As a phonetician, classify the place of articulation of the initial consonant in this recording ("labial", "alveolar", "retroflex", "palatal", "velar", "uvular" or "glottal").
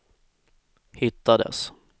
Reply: glottal